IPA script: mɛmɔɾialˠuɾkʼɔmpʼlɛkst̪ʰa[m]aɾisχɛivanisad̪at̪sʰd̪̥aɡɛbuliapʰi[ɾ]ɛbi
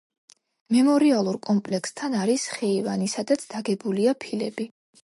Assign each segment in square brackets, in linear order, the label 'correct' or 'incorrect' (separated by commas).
incorrect, incorrect